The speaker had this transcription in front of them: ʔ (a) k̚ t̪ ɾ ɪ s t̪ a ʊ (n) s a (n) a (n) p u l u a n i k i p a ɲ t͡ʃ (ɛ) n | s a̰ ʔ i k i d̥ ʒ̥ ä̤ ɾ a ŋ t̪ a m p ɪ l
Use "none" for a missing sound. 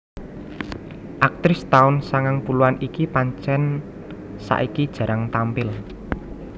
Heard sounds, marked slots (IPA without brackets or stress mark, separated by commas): a, n, ŋ, ŋ, ɛ